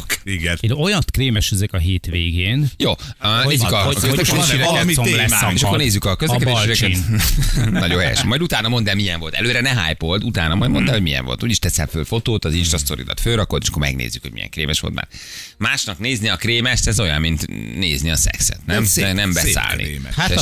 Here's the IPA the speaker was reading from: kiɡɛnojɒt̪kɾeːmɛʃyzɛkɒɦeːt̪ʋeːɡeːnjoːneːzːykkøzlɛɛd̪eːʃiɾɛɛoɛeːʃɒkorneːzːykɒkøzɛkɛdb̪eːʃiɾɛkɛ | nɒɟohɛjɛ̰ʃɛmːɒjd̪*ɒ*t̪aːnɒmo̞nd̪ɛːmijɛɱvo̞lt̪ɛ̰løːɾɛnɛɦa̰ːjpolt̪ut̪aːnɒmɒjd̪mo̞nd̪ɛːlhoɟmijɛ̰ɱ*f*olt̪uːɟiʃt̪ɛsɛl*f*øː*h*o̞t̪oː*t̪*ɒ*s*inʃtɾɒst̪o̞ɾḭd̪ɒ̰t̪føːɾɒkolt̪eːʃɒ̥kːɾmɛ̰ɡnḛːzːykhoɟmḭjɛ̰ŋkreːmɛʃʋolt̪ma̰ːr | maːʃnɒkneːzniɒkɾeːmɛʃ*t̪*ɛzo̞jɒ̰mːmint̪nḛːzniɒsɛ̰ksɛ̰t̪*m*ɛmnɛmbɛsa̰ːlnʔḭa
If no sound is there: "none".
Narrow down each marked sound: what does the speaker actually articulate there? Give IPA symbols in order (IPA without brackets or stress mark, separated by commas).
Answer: u, v, f, f, t̪, z, t̪, n